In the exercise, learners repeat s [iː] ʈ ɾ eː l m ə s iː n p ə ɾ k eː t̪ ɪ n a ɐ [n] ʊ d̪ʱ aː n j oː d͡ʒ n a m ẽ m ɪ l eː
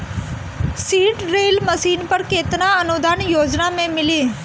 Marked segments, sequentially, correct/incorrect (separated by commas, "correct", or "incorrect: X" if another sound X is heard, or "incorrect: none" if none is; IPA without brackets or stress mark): correct, correct